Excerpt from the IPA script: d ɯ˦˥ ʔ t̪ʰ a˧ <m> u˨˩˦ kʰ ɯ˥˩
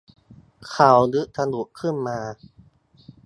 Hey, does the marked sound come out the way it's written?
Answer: no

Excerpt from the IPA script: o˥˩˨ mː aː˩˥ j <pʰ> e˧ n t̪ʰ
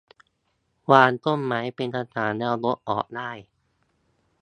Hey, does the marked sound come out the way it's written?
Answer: no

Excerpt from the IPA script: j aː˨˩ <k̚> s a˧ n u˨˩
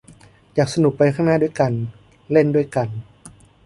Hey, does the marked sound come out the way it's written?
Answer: yes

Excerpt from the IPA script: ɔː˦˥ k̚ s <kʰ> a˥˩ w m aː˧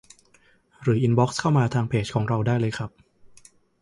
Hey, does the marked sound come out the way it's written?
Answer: yes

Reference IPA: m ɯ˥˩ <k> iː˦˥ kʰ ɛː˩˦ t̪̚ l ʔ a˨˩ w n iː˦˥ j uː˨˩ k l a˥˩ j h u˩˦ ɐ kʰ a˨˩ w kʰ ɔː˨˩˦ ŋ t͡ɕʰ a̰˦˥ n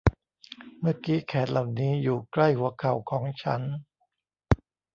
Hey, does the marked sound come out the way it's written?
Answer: yes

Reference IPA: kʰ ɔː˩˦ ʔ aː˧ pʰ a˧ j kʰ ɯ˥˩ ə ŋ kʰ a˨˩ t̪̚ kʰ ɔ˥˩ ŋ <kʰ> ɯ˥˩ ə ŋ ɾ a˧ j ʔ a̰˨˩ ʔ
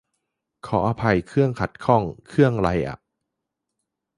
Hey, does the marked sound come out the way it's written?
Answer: yes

